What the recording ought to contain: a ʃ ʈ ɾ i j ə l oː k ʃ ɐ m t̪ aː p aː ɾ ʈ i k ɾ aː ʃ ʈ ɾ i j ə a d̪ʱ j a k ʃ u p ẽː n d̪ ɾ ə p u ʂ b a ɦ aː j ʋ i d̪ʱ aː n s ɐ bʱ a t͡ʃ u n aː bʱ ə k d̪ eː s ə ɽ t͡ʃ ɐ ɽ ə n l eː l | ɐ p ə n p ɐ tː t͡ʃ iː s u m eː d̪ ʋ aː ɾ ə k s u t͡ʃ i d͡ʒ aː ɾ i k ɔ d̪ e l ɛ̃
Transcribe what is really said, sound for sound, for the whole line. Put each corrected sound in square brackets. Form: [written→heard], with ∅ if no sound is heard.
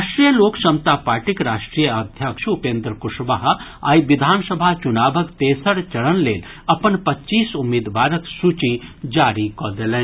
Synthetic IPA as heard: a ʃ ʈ ɾ i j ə l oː k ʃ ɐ m t̪ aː p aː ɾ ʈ i k ɾ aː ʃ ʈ ɾ i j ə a d̪ʱ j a k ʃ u p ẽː n d̪ ɾ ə [p→k] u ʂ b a ɦ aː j ʋ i d̪ʱ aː n s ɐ bʱ a t͡ʃ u n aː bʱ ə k [d̪→t̪] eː s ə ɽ t͡ʃ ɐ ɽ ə n l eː l | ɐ p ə n p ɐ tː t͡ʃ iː s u m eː d̪ ʋ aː ɾ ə k s u t͡ʃ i d͡ʒ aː ɾ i k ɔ d̪ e l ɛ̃